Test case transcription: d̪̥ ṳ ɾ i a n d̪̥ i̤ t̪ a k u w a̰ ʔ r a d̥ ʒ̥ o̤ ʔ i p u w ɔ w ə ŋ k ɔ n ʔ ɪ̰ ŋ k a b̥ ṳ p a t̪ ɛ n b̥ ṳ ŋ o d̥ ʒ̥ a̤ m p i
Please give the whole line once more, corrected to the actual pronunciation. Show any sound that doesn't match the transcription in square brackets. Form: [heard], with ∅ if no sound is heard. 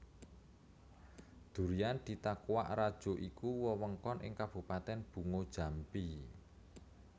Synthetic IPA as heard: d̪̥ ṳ ɾ i a n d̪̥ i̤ t̪ a k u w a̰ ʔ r a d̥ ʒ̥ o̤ ʔ i [k] u w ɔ w ə ŋ k ɔ n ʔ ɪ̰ ŋ k a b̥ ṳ p a t̪ ɛ n b̥ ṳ ŋ o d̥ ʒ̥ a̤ m p i